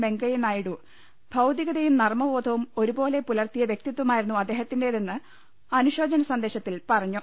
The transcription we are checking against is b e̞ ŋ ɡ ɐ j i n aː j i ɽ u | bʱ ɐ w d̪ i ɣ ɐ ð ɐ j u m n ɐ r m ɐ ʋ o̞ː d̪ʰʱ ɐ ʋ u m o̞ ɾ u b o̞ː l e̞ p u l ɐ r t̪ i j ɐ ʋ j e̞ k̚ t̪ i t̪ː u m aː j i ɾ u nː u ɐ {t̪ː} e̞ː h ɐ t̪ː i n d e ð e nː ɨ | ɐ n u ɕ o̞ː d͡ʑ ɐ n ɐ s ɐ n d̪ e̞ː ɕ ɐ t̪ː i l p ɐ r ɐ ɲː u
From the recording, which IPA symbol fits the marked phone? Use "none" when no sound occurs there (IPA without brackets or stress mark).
d̪ː